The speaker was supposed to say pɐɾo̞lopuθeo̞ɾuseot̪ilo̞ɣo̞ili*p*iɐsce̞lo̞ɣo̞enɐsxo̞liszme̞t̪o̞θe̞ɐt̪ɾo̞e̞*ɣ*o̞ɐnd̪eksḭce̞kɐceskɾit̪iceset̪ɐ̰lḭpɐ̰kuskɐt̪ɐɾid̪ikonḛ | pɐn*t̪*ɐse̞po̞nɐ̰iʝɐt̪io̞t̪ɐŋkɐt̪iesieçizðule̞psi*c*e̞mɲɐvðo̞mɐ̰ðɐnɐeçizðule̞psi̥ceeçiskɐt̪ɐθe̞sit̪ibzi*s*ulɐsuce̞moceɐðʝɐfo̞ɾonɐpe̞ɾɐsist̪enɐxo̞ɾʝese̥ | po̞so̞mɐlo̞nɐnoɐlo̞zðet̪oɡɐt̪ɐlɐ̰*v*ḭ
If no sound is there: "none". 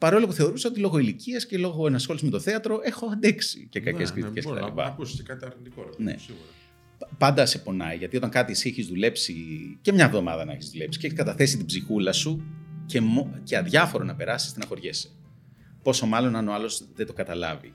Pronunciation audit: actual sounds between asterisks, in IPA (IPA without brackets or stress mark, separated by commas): c, x, d̪, c, x, v